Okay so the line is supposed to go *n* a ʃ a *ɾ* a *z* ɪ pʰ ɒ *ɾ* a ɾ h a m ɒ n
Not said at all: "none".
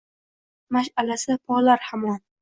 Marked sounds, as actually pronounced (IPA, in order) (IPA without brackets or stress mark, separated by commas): m, l, s, l